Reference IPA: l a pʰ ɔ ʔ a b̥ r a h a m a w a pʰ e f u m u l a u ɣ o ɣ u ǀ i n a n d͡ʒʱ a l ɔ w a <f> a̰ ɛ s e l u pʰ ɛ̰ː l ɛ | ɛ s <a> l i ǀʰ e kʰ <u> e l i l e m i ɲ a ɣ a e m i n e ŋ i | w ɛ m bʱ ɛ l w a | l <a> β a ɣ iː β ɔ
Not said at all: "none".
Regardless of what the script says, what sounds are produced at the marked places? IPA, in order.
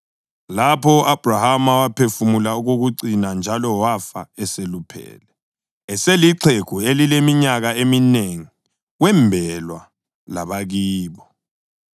f, e, u, a

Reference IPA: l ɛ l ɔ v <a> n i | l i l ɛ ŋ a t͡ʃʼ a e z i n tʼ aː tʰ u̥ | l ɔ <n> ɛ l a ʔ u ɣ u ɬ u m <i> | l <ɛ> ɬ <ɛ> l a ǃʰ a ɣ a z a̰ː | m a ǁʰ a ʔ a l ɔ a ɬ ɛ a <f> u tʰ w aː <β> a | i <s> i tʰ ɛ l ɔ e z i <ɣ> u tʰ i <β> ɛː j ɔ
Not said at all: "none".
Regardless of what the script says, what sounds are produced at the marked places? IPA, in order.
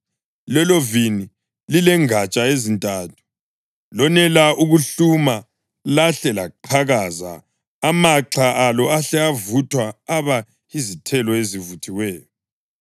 i, n, a, a, ɛ, v, β, z, v, w

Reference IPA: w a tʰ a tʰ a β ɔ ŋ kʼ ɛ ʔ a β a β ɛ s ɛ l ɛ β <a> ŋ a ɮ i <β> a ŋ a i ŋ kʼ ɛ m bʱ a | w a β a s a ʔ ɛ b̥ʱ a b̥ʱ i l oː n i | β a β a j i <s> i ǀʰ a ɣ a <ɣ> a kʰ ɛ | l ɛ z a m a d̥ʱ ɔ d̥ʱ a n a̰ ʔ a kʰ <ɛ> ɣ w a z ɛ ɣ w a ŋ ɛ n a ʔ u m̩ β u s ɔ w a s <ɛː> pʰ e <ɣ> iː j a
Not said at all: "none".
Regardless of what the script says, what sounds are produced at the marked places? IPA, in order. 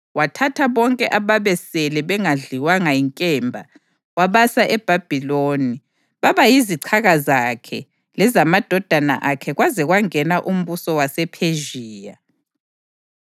ɛ, w, z, z, ɛ, ɛ, ʒ

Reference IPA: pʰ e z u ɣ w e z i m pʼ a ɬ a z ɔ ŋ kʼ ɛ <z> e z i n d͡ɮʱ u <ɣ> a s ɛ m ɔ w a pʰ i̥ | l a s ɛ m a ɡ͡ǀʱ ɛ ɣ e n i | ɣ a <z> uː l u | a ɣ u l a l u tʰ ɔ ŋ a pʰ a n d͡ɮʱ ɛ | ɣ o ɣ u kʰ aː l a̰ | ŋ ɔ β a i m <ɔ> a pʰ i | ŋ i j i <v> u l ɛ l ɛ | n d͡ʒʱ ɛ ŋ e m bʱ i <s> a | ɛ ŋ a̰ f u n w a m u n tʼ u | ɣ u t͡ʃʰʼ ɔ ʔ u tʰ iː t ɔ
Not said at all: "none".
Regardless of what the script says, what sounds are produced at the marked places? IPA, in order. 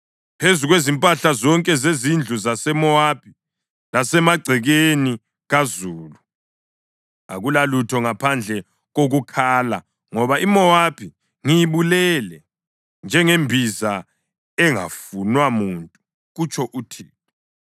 z, z, z, ɔ, β, z

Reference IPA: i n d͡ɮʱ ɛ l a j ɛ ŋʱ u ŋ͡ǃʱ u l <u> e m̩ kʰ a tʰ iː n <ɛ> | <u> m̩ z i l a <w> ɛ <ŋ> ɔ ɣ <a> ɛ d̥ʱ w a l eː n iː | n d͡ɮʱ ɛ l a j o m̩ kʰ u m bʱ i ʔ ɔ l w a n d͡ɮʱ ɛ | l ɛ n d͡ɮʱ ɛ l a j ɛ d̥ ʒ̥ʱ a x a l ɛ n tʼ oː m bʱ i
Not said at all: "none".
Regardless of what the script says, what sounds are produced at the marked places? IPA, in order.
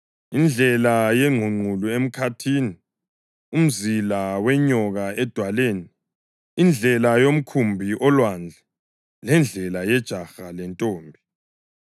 u, i, u, w, ɲ, a

